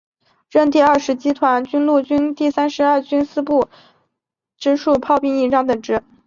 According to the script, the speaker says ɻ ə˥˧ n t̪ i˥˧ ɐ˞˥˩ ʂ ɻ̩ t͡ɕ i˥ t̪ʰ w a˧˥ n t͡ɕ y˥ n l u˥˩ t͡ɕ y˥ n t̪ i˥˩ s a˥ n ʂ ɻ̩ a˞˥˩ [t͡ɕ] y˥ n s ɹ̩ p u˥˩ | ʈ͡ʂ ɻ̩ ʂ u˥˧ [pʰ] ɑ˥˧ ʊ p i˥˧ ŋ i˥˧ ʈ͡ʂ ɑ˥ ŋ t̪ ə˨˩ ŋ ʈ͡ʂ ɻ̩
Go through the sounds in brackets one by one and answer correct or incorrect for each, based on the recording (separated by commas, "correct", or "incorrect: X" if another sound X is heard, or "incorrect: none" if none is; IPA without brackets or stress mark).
correct, correct